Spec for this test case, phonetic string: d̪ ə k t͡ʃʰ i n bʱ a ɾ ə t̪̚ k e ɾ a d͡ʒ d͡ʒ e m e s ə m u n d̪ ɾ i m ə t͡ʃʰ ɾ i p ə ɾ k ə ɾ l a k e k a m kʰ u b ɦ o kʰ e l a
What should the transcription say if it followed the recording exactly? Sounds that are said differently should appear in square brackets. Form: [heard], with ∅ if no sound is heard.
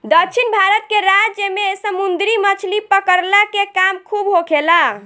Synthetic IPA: d̪ ə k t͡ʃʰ i n bʱ a ɾ ə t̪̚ k e ɾ a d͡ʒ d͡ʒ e m e s ə m u n d̪ ɾ i m ə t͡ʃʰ [l] i p ə [∅] k ə ɾ l a k e k a m kʰ u b ɦ o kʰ e l a